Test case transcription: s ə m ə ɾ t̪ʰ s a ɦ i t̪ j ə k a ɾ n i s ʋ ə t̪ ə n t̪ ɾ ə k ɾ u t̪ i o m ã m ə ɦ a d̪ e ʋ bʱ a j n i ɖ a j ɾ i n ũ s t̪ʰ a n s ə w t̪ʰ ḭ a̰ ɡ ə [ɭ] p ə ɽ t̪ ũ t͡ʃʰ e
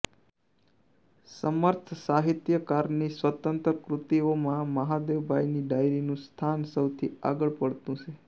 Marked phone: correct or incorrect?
correct